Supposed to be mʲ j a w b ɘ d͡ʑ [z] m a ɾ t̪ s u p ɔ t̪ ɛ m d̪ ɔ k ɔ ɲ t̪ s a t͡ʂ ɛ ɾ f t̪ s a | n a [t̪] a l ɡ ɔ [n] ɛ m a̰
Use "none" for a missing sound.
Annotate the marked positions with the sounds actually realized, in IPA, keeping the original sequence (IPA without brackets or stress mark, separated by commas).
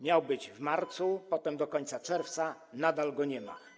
v, d̪, ɲ